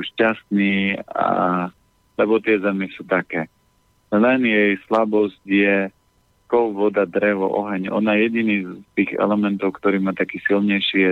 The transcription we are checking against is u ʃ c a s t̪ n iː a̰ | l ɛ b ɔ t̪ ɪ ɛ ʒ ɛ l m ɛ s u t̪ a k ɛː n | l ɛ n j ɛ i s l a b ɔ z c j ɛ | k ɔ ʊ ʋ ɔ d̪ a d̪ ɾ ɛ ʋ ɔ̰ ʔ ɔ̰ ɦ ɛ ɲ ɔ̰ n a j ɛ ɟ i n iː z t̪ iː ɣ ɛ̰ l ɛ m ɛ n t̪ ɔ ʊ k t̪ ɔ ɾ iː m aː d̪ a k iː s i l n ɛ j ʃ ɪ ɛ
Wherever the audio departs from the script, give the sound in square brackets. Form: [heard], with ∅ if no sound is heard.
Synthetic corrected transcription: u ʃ c a s t̪ n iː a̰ | l ɛ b ɔ t̪ ɪ ɛ [z] ɛ [∅] m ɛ s u t̪ a k ɛː [∅] | l ɛ n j ɛ [j] s l a b ɔ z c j ɛ | k ɔ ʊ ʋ ɔ d̪ a d̪ ɾ ɛ ʋ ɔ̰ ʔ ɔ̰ ɦ ɛ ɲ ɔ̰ n a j ɛ ɟ i n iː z t̪ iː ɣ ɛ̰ l ɛ m ɛ n t̪ ɔ ʊ k t̪ ɔ ɾ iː m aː [t̪] a k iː s i l [ɲ] ɛ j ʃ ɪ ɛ